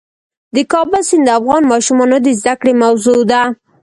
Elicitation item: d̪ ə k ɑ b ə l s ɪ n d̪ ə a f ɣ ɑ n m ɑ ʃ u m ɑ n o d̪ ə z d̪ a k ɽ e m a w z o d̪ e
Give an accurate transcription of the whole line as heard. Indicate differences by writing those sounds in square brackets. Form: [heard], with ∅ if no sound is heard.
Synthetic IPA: d̪ ə k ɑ b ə l s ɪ n d̪ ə a f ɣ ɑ n m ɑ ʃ u m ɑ n o d̪ ə z d̪ a k ɽ e m a w z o d̪ [a]